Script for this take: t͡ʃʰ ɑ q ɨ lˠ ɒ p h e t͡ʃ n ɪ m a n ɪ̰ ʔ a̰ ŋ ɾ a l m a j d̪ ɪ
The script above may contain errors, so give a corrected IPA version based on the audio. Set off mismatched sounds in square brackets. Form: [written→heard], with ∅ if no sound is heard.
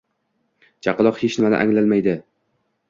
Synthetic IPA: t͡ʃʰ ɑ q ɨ lˠ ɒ [p→q] h e t͡ʃ n ɪ m a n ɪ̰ ʔ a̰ ŋ [ɾ→l] a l m a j d̪ ɪ